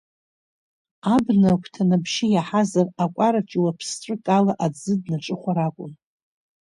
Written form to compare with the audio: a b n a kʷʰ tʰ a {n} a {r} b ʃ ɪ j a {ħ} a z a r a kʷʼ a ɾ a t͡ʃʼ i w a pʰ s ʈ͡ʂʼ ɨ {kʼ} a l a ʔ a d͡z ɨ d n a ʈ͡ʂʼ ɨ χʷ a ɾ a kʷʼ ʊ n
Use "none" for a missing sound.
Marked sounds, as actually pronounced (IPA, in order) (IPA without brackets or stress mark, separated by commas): n, none, ħ, kʼ